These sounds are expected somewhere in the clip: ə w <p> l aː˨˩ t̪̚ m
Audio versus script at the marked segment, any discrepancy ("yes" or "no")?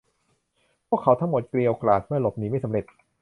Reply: yes